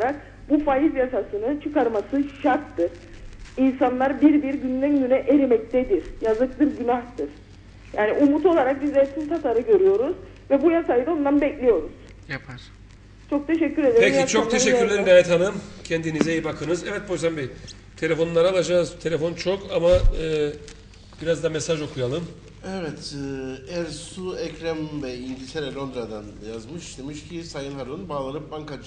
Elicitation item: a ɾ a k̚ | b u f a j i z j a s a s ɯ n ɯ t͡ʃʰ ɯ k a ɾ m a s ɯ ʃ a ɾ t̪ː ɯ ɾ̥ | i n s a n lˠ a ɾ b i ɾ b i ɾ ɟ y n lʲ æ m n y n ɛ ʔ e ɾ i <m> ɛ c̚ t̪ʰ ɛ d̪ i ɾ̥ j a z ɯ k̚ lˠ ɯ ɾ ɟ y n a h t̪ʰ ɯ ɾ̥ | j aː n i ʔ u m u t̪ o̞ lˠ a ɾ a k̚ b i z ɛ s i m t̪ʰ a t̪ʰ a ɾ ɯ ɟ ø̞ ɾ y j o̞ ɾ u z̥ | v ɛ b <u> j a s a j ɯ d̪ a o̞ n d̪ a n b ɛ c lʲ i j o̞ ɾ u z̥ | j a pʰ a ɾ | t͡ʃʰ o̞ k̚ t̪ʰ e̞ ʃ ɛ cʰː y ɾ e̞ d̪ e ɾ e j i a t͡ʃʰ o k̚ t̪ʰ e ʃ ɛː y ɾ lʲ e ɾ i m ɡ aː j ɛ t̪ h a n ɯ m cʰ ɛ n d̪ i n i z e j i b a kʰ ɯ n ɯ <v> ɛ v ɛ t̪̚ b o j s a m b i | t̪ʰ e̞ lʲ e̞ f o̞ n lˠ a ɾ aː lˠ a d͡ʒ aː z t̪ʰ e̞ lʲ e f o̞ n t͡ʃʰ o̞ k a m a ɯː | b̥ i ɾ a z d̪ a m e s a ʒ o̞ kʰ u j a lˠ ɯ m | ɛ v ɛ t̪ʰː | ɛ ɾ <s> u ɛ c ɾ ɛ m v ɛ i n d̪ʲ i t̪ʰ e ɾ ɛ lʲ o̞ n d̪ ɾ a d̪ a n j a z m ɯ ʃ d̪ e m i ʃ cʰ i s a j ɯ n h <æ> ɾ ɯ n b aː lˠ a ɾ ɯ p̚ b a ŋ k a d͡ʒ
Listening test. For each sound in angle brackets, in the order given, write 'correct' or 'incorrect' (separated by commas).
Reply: correct, correct, incorrect, correct, incorrect